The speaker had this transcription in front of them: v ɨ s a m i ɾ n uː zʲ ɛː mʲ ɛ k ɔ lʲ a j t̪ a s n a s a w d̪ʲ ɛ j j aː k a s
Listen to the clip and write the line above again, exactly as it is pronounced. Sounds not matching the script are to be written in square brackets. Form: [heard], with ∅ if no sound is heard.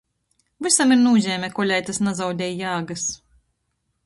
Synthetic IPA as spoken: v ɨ s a m i ɾ n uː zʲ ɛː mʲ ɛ k ɔ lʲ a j t̪ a s n a [z] a w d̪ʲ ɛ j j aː [ɡ] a s